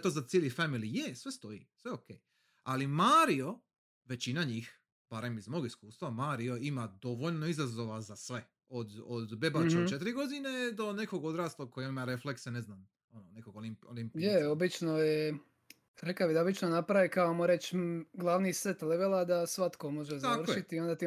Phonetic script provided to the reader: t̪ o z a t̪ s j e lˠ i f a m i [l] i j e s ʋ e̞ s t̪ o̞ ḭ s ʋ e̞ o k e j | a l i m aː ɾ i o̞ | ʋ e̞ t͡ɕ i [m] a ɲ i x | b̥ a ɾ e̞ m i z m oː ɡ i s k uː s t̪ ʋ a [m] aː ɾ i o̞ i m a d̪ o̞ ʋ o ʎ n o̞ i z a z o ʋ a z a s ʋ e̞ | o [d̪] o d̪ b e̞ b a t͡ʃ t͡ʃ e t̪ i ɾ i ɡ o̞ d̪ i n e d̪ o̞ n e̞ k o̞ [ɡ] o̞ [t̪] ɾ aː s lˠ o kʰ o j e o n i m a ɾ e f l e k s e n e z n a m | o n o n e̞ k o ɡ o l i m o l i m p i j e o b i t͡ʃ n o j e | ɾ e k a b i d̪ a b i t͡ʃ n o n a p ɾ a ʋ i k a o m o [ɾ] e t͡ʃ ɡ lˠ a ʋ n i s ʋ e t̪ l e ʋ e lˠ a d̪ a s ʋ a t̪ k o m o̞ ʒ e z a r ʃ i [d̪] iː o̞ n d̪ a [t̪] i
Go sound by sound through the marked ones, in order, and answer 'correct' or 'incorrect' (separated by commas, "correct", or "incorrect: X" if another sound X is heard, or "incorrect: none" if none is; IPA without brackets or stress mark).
correct, incorrect: n, correct, correct, correct, incorrect: d̪, correct, incorrect: t̪, correct